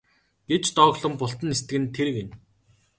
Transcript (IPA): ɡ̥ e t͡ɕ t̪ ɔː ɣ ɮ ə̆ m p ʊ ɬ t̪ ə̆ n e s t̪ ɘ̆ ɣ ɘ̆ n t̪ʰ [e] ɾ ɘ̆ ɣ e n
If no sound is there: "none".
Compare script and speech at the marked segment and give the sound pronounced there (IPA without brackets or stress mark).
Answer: e